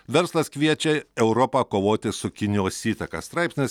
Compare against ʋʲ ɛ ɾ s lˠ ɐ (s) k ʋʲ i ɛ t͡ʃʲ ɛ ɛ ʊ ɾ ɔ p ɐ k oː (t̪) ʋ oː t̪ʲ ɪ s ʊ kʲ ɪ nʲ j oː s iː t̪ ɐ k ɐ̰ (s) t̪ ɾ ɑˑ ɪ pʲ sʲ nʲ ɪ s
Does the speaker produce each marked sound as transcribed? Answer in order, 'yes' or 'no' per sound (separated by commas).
yes, no, yes